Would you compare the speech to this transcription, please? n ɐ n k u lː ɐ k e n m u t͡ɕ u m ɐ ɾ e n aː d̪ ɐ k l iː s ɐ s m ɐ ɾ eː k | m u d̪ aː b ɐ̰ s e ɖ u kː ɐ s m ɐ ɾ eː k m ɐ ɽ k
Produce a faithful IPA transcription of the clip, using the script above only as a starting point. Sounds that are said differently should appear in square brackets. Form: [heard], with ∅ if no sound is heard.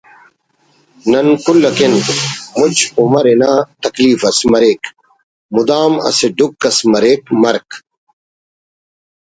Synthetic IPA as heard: n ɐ n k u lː ɐ k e n m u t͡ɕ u m ɐ ɾ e n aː [t̪] ɐ k l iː [f] ɐ s m ɐ ɾ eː k | m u d̪ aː [m] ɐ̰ s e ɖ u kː ɐ s m ɐ ɾ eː k m ɐ [ɾ] k